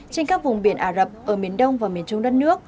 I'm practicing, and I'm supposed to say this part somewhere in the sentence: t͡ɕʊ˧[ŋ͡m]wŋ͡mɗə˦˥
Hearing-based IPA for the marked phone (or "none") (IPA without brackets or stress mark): none